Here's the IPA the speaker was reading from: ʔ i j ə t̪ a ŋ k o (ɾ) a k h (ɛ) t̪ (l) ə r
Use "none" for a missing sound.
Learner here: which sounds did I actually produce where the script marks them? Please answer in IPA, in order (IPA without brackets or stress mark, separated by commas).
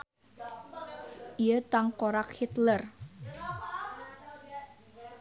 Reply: ɾ, i, l